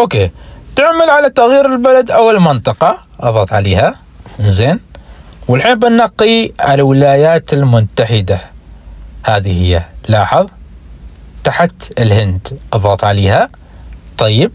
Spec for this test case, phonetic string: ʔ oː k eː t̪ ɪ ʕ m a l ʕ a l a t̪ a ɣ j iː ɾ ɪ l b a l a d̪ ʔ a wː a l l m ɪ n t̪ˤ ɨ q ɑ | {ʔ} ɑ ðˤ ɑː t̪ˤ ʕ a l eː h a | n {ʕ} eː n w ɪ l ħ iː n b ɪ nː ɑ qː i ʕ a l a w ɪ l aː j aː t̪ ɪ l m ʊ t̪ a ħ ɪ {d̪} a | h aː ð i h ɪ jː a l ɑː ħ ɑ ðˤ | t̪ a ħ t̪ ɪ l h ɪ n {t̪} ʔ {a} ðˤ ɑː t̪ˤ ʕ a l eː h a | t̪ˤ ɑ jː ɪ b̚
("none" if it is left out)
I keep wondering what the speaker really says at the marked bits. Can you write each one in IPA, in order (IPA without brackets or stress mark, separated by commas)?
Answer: ʔ, z, d̪, d̪, ɑ